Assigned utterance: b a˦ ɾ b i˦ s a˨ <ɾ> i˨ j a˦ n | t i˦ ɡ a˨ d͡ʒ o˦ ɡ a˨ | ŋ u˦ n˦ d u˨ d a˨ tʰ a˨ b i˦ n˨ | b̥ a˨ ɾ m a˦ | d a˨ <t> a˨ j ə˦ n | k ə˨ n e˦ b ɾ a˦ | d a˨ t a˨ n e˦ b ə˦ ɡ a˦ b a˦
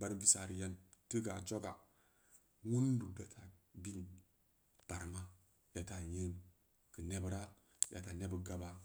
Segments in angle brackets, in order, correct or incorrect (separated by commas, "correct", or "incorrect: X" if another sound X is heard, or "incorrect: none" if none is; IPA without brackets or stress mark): correct, correct